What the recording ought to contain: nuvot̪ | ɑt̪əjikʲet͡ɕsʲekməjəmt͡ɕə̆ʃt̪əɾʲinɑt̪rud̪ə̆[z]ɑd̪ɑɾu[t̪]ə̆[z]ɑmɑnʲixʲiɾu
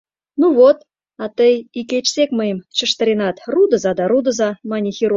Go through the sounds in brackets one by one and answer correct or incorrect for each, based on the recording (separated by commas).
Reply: correct, incorrect, correct